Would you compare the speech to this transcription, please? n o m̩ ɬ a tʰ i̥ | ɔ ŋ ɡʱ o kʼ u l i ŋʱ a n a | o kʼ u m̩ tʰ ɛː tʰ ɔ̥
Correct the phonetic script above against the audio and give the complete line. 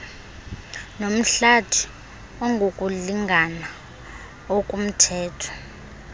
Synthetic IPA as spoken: n o m̩ ɬ a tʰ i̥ | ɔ ŋ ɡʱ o kʼ u l i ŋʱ a n a | o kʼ u m̩ tʰ ɛː tʰ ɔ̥